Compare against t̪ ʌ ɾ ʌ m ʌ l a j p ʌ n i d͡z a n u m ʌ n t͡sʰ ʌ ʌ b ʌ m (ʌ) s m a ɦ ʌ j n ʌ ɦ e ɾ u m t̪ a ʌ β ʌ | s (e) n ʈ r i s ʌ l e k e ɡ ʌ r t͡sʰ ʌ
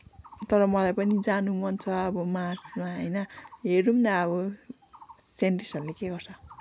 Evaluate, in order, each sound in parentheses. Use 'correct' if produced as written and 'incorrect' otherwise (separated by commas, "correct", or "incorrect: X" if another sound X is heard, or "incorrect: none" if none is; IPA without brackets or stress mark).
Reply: incorrect: a, correct